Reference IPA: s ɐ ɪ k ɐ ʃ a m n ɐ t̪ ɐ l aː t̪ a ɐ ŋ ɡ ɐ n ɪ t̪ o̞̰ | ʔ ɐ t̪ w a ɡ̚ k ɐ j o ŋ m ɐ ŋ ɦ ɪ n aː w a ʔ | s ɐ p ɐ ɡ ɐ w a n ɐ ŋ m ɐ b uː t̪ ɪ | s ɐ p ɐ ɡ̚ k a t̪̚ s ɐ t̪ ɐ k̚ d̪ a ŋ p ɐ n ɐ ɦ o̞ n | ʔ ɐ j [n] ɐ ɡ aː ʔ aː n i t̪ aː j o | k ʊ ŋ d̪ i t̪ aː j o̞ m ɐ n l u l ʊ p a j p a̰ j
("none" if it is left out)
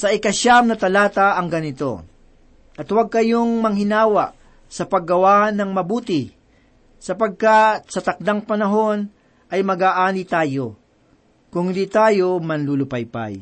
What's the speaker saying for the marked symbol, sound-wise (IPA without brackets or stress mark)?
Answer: m